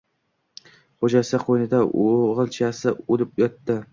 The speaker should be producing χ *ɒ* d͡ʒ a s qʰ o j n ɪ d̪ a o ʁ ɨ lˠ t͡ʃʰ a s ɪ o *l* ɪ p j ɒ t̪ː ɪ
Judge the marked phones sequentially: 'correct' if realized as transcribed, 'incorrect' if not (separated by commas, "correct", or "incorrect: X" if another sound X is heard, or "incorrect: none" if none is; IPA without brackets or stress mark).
incorrect: o, correct